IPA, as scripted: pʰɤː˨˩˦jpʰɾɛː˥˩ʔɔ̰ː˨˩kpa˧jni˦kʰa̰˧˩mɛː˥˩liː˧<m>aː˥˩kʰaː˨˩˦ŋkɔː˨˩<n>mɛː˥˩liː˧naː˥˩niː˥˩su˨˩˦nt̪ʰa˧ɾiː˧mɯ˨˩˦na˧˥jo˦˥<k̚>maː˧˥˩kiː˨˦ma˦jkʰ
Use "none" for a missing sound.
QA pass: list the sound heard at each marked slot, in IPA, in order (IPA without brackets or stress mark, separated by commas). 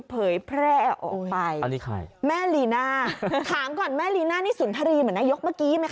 n, n, k̚